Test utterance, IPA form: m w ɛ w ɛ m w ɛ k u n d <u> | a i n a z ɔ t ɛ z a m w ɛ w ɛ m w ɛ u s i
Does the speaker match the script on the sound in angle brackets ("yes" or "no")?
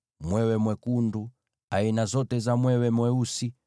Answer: yes